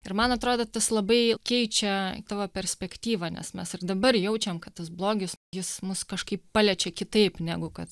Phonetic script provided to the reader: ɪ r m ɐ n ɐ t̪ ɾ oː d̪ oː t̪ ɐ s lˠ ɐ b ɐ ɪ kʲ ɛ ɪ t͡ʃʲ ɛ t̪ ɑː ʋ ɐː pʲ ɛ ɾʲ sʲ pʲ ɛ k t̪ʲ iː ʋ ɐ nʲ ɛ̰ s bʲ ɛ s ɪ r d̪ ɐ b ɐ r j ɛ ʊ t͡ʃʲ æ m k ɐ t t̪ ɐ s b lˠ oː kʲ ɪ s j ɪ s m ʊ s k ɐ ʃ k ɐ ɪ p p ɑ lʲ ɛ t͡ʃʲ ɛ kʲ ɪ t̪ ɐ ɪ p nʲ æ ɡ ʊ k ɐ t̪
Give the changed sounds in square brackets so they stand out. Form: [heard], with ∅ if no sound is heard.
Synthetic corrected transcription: ɪ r m ɐ n ɐ t̪ ɾ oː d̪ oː t̪ ɐ s lˠ ɐ b ɐ ɪ kʲ ɛ ɪ t͡ʃʲ ɛ t̪ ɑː ʋ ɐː pʲ ɛ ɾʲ sʲ pʲ ɛ k t̪ʲ iː ʋ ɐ nʲ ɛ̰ s [mʲ] ɛ s ɪ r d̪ ɐ b ɐ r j ɛ ʊ t͡ʃʲ [ɛ] m k ɐ t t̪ ɐ s b lˠ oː [ɡʲ] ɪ s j ɪ s m ʊ s k ɐ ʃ k ɐ ɪ p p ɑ lʲ ɛ t͡ʃʲ ɛ kʲ ɪ t̪ ɐ ɪ p nʲ æ ɡ ʊ k ɐ t̪